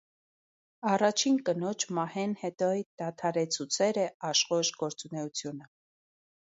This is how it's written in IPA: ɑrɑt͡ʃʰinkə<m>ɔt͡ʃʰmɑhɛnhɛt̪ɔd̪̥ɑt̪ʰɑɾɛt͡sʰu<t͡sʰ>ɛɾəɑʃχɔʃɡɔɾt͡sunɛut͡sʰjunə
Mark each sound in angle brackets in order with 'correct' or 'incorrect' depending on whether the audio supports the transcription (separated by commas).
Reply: incorrect, correct